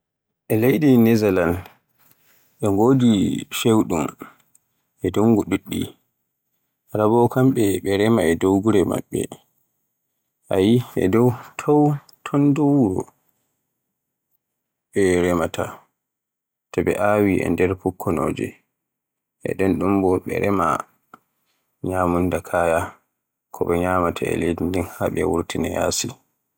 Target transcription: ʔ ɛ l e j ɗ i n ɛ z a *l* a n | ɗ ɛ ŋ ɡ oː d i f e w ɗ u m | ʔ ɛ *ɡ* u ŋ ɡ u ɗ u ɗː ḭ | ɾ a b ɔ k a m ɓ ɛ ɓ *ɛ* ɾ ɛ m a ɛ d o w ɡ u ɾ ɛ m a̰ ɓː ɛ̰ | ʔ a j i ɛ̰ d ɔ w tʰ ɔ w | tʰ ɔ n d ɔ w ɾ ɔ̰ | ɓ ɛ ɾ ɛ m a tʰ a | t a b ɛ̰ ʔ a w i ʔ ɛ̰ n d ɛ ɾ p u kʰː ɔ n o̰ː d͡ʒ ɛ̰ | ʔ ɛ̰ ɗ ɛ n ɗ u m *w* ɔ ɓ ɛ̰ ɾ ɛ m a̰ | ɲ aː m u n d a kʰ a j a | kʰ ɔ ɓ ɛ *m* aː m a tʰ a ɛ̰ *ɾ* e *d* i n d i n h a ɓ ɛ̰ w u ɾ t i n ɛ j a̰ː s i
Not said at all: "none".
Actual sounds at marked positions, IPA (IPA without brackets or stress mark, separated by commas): l, d, ɛ, b, ɲ, l, d